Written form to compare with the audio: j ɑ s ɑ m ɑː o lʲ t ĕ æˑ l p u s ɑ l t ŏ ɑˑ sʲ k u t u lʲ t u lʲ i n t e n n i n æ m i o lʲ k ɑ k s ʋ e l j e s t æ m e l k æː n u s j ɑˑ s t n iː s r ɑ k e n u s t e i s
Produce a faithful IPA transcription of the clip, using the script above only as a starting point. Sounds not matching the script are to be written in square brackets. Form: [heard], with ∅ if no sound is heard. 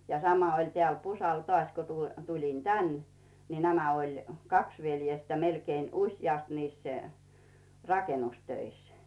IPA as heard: j ɑ s ɑ m [ɑ] o lʲ t ĕ æˑ l p u s ɑ l t ŏ ɑˑ sʲ k u t u lʲ t u lʲ i n t [æ] n n i n æ m [æ] o lʲ k ɑ k s ʋ e l j e s t æ m e l k [eː] n u s j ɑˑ s t n iː s r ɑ k e n u s t [ø] i s